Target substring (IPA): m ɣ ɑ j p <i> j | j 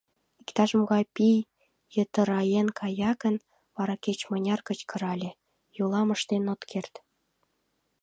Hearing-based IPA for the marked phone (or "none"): i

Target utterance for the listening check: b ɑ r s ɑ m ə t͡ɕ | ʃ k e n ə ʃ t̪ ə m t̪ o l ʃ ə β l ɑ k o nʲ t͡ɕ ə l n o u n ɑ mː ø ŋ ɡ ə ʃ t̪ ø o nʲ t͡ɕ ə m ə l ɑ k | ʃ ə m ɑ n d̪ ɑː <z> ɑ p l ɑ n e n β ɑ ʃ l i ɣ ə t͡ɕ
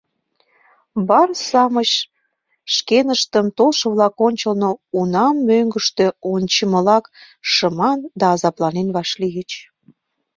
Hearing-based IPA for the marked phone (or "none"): z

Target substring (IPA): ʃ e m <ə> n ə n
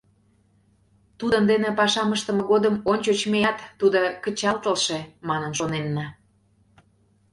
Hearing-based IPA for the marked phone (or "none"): ɑ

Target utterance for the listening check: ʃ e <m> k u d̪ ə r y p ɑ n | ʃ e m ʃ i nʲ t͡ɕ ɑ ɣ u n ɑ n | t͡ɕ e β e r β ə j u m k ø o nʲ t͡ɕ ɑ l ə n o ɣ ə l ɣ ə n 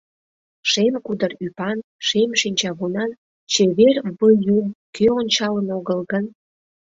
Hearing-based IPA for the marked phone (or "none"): m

